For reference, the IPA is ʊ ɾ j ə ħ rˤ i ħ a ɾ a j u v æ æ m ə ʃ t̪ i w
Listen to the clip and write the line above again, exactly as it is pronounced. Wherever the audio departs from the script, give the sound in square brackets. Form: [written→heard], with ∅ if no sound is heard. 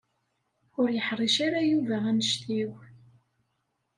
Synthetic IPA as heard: ʊ ɾ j ə ħ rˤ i [ħ→ʃ] a ɾ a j u v æ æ [m→n] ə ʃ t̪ i w